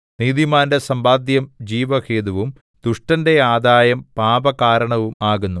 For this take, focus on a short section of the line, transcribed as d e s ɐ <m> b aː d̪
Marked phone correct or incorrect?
correct